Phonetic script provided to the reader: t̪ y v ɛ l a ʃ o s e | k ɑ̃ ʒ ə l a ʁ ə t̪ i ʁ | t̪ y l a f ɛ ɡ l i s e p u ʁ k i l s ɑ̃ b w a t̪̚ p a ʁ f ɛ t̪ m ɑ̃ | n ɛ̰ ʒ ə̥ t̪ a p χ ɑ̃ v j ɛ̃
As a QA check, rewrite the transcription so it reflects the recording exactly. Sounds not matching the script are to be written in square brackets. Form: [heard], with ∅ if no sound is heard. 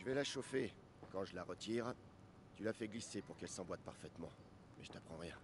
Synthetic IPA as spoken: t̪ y v ɛ l a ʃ o [f] e | k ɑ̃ ʒ ə l a ʁ ə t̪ i ʁ | t̪ y l a f ɛ ɡ l i s e p u ʁ k [ɛ] l s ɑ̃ b w a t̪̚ p a ʁ f ɛ t̪ m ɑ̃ | [m] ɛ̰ ʒ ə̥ t̪ a p χ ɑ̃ [ʁ] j ɛ̃